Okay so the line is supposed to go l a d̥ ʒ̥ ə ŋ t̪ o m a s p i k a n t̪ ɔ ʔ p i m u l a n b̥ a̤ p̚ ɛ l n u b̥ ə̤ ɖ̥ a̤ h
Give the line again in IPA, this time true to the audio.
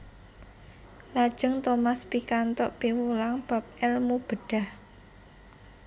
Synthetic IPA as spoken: l a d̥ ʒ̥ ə ŋ t̪ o m a s p i k a n t̪ ɔ ʔ p i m u l a ŋ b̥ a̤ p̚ ɛ l m u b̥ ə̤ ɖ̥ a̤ h

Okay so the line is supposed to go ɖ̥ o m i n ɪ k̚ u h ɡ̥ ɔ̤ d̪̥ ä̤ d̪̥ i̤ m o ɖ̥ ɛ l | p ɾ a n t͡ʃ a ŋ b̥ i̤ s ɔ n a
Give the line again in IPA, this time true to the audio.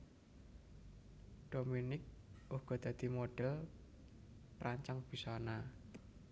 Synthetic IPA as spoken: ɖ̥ o m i n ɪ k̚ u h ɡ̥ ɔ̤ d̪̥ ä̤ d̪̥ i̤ m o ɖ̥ ɛ l | p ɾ a ɲ t͡ʃ a ŋ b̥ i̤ s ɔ n a

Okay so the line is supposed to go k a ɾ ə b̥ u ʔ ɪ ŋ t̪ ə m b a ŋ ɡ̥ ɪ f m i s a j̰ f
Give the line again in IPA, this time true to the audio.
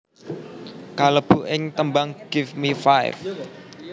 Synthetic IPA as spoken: k a l ə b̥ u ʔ ɪ ŋ t̪ ə m b a ŋ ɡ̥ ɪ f m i f a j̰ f

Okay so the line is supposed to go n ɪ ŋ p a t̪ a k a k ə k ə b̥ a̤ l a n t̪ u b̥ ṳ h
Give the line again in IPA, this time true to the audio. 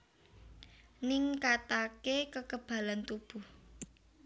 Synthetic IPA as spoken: n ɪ ŋ k a t̪ a k e k ə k ə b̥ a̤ l a n t̪ u b̥ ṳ h

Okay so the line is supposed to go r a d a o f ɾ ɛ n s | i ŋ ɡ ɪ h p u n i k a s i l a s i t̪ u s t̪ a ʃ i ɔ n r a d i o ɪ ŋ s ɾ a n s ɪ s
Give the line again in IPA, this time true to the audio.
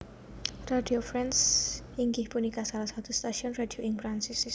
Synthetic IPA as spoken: r a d i o f ɾ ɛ n s | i ŋ ɡ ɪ h p u n i k a s a l a s a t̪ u s t̪ a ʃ i ɔ n r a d i o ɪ ŋ f ɾ a n s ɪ s

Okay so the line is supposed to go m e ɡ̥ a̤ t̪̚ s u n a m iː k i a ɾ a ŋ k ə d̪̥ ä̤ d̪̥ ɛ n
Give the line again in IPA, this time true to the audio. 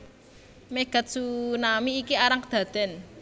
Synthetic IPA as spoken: m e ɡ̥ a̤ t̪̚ s u n a m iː k i a ɾ a ŋ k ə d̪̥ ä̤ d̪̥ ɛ n

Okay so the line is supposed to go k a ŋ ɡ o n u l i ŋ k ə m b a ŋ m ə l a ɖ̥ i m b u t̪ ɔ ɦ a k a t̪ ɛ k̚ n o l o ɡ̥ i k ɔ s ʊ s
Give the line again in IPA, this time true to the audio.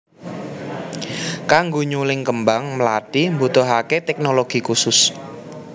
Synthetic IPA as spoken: k a ŋ ɡ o ɲ u l ɪ ŋ k ə m b a ŋ m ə l a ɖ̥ i m b u t̪ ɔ ɦ a k e t̪ ɛ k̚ n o l o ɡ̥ i k u s ʊ s

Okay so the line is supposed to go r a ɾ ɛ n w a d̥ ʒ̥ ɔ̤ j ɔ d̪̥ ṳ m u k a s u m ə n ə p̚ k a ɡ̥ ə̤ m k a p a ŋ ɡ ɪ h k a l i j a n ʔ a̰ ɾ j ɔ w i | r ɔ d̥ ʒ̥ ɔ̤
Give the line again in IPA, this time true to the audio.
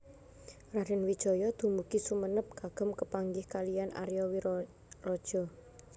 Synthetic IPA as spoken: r a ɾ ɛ n w i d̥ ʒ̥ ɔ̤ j ɔ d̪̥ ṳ m u k i s u m ə n ə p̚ k a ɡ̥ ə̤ m k ə p a ŋ ɡ ɪ h k a l i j a n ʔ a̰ ɾ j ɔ w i | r ɔ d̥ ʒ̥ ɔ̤

